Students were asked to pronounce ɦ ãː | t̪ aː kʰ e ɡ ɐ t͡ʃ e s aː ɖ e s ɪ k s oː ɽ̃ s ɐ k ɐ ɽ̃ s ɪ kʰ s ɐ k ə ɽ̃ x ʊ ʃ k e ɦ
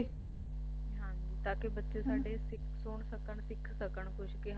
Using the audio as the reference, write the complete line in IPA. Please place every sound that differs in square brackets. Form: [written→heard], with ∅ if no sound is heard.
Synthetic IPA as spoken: ɦ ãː | t̪ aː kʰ e [ɡ→b] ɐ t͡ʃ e s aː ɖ e s ɪ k s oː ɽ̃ s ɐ k [ɐ→ə] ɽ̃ s ɪ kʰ s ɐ k ə ɽ̃ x ʊ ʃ k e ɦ